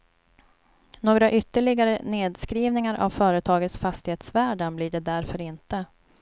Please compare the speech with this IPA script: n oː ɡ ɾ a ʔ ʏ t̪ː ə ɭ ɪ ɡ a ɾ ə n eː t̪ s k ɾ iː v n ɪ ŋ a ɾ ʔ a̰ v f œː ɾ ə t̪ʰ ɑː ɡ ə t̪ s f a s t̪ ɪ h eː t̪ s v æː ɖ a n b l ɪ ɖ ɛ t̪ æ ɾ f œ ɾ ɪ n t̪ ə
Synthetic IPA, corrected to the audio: n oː ɡ ɾ a ʔ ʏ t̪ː ə ɭ ɪ ɡ a ɾ ə n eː d̪ s k ɾ iː v n ɪ ŋ a ɾ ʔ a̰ v f œː ɾ ə t̪ʰ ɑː ɡ ə t̪ s f a s t̪ ɪ h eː t̪ s v æː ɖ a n b l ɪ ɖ ɛ d̪ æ ɾ f œ ɾ ɪ n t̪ ə